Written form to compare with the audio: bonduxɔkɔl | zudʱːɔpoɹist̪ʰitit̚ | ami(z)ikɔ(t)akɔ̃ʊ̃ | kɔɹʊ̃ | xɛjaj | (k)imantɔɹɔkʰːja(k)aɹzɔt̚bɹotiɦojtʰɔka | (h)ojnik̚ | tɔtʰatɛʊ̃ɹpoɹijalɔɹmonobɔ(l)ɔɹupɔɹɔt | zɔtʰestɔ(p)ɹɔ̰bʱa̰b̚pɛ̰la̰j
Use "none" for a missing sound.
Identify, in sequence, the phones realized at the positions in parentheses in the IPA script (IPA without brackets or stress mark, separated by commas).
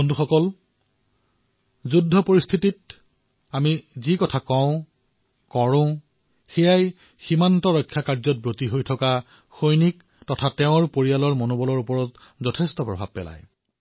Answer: z, tʰ, x, k, x, l, p